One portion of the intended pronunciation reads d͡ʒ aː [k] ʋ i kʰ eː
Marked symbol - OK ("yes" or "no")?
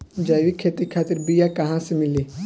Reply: no